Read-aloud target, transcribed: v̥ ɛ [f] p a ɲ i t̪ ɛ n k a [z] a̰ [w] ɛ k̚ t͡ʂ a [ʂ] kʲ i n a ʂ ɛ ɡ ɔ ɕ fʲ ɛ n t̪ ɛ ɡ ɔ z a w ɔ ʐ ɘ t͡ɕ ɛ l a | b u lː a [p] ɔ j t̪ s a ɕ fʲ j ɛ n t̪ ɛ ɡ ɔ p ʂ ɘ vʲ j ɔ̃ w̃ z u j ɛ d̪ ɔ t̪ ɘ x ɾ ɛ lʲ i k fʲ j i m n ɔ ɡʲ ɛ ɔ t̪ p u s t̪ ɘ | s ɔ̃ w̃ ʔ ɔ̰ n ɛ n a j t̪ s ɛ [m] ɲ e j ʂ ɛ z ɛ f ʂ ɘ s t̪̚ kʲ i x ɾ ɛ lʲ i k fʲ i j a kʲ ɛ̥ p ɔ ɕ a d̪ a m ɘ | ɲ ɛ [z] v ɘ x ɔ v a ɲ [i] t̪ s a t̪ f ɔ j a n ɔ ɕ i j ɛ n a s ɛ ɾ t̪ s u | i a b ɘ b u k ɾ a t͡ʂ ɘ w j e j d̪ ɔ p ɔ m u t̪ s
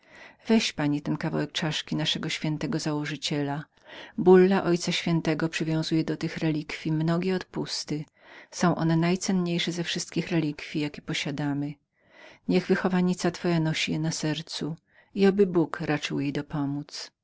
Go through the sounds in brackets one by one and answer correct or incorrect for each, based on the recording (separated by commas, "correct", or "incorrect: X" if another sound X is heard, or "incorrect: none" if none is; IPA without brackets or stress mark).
incorrect: ɕ, incorrect: v, correct, correct, incorrect: ʔ, incorrect: n, incorrect: ɣ, correct